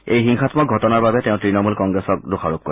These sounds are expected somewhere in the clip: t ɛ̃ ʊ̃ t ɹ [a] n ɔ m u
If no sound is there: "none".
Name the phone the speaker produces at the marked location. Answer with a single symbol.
i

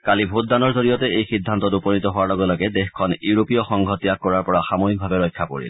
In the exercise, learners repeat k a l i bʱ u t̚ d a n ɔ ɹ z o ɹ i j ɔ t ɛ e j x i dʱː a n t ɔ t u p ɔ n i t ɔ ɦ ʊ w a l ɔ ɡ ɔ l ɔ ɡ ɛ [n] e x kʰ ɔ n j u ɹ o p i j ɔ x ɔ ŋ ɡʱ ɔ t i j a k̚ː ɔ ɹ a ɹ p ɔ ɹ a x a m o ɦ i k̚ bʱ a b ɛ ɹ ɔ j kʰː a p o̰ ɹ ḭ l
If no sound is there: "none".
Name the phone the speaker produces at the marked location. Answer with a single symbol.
d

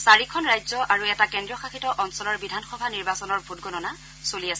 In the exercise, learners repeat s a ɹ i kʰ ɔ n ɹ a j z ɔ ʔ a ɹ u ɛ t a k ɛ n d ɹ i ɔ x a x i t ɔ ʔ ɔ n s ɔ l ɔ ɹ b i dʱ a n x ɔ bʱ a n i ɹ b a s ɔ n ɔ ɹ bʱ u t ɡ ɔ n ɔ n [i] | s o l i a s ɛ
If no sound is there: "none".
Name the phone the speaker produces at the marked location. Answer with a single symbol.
a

